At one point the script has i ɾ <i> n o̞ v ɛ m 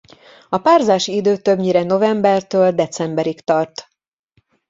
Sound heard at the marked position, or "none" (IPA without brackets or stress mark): ɛ